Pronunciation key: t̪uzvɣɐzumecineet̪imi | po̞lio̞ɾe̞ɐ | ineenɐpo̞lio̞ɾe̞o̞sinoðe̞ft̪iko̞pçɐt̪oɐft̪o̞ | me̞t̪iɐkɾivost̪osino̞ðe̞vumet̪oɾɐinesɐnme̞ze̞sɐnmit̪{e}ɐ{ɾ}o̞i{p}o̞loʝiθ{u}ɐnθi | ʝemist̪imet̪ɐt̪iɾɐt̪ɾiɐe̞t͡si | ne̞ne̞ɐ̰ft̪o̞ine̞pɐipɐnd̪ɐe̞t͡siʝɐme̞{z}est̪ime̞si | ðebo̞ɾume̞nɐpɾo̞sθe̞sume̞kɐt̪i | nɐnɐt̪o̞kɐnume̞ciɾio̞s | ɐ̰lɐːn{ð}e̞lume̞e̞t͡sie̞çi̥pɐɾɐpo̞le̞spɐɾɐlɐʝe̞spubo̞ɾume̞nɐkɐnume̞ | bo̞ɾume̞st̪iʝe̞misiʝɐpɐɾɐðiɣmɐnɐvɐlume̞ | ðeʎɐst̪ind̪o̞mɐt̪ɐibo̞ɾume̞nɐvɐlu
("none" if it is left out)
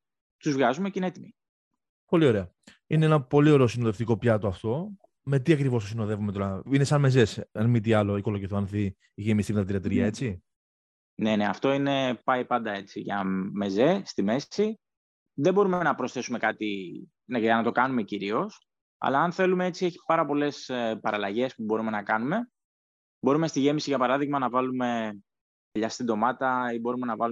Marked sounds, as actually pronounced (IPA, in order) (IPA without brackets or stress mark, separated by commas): i, l, k, o, z, θ